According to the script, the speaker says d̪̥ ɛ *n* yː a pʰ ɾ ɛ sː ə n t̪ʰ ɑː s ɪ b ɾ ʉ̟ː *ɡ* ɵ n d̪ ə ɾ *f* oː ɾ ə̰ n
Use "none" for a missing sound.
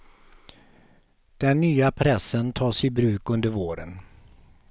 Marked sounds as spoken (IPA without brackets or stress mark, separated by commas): nː, k, v